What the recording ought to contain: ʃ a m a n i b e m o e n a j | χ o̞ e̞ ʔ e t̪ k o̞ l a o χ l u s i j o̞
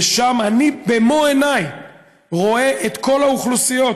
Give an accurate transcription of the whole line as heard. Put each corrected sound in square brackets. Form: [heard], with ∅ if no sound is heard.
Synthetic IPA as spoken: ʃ a m a n i b e m o e n a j | [ʁ] o̞ e̞ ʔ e t̪ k o̞ l a [u] χ l u s i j o̞

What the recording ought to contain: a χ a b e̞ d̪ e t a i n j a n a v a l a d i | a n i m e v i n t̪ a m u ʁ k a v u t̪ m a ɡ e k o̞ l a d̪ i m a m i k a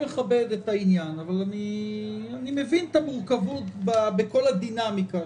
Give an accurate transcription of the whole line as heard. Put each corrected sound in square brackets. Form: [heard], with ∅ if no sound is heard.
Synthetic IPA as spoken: [e] χ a b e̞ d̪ e t a i n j a n a v a l a [n] i | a n i m e v i n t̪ a m u ʁ k a v u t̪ [b] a [b] e k o̞ l a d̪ i [n] a m i k a

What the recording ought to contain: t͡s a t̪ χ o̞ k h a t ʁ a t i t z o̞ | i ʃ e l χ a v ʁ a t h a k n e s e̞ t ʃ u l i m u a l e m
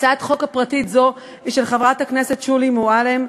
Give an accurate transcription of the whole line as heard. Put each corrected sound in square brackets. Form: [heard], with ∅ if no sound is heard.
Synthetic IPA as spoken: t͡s a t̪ χ o̞ k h a [p] ʁ a t i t z o̞ | i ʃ e l χ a v ʁ a t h a k n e s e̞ t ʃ u l i m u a l e m

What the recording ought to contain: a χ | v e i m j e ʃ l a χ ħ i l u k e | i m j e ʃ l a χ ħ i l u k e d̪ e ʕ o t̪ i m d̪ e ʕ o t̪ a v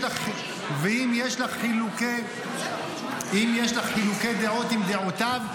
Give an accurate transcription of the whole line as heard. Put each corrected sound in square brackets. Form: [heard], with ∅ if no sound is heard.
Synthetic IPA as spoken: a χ | v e i m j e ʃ l a χ ħ i l u k e | i m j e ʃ l a χ ħ i l u k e d̪ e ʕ o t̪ i m d̪ e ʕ o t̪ a v

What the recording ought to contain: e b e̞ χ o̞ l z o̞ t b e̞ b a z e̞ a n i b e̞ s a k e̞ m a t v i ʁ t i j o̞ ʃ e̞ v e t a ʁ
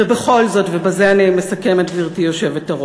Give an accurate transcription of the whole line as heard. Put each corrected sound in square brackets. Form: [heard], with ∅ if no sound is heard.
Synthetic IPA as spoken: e b e̞ χ o̞ l z o̞ t [v] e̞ b a z e̞ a n i [m] e̞ s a k e̞ m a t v i ʁ t i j o̞ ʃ e̞ v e t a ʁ

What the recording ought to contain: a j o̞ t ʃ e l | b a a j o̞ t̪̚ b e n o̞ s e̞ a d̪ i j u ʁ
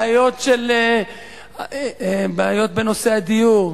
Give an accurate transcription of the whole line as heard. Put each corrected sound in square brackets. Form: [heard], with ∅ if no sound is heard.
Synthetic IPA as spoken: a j o̞ t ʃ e l | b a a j o̞ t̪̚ b e n o̞ s e̞ a d̪ i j u ʁ

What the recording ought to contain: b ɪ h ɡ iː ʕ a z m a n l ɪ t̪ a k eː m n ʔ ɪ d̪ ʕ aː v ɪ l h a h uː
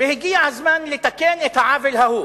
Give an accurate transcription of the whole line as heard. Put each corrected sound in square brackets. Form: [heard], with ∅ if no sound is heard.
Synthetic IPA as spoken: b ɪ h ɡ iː ʕ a z m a n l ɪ t̪ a k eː [∅] n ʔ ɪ [t̪] ʕ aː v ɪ l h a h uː

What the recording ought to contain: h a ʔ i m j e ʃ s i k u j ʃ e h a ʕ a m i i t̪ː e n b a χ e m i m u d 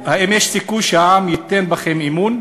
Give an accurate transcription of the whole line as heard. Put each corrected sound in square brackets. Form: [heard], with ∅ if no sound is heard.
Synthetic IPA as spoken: h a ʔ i m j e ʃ s i k u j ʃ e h a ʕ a m [j] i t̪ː e n b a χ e m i m u [n]

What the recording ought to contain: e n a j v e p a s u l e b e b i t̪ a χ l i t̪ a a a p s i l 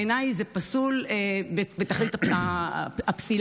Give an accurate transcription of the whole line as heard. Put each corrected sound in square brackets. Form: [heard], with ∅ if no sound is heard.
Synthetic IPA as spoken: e n a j [z] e p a s u l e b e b [e] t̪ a χ l i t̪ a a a p s i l

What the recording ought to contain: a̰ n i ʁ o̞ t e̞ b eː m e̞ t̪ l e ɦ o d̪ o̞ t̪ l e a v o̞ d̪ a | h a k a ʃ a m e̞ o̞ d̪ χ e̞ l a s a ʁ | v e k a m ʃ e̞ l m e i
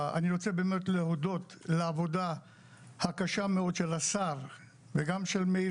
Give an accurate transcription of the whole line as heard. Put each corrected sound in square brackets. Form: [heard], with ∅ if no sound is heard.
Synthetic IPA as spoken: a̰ n i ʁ o̞ [t͡s] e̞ b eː m e̞ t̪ l e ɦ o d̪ o̞ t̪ l e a v o̞ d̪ a | h a k a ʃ a m e̞ o̞ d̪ [ʃ] e̞ l a s a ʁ | v e [ɡ] a m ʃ e̞ l m e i

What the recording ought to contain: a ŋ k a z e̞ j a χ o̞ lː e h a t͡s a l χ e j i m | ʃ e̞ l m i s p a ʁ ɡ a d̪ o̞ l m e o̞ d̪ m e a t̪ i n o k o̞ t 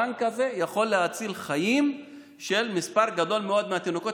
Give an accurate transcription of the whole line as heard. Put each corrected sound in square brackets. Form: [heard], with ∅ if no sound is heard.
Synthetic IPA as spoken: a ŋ k a z e̞ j a χ o̞ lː e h a t͡s [i] l χ [a] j i m | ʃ e̞ l m i s p a ʁ ɡ a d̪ o̞ l m e o̞ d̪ m e a t̪ i n o k o̞ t

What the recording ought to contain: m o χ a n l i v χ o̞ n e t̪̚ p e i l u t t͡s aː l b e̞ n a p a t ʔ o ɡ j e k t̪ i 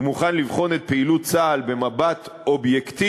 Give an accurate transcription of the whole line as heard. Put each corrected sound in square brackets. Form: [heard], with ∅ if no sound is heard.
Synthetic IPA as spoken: m [u] χ a n l i v χ o̞ n e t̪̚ p e i l u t t͡s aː l b e̞ [m] a [b] a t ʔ o [b] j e k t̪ i

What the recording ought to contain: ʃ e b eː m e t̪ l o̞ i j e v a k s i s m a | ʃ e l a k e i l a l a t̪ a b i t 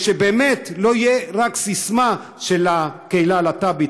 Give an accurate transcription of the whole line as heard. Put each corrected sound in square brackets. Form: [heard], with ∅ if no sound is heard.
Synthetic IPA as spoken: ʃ e b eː m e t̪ l o̞ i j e [ʁ] a k s i s m a | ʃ e l a k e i l a l a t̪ a b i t

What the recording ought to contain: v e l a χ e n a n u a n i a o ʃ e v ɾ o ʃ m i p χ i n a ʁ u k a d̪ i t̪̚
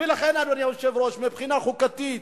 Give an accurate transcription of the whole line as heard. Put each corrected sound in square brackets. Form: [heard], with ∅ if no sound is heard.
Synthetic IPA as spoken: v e l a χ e n a n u a n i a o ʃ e v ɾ o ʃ m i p χ i n a [χ] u k a [t̪] i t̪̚

